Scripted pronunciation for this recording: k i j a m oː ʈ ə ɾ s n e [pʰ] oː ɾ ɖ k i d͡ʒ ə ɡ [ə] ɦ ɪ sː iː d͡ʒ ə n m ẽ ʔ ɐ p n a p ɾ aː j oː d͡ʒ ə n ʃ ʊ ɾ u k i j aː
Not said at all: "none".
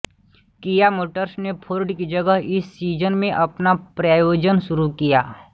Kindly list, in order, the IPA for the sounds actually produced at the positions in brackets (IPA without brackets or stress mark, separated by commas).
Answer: pʰ, ə